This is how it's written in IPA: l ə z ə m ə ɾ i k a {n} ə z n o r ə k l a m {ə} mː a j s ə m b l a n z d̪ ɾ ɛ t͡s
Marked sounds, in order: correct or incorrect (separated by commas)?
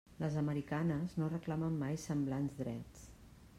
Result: correct, correct